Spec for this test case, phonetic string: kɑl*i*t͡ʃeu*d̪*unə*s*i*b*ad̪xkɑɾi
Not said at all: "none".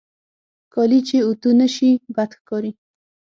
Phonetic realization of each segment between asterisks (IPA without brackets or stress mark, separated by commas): i, t̪, ʃ, b